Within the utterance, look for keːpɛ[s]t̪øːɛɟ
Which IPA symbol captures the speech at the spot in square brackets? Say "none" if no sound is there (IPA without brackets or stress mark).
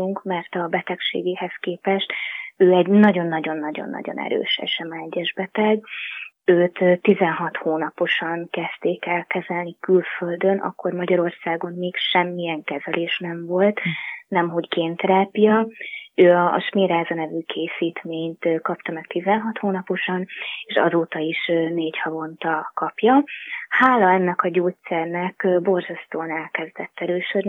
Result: ʃ